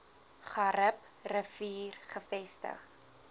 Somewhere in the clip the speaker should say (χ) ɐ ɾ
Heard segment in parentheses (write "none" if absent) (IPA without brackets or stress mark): χ